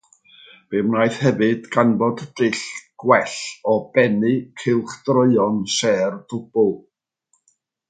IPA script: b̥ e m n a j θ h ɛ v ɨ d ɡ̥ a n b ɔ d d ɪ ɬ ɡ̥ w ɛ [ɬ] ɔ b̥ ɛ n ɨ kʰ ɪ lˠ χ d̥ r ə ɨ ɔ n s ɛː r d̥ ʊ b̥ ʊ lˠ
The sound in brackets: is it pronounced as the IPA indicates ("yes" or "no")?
yes